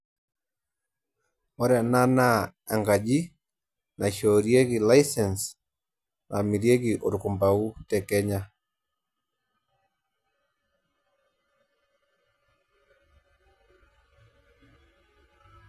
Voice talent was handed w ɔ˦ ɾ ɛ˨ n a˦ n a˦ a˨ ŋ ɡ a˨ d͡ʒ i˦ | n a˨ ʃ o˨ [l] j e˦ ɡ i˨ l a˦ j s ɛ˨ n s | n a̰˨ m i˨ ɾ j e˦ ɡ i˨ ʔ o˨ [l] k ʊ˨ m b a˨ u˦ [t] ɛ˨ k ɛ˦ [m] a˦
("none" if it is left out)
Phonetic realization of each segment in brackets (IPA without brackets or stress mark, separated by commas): ɾ, ɾ, t, ɲ